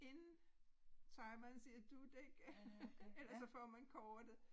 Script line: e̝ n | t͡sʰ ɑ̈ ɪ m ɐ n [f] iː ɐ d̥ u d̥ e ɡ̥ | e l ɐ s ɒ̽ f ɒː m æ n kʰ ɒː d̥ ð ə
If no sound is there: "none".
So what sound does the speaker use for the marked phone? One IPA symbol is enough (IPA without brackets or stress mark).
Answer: s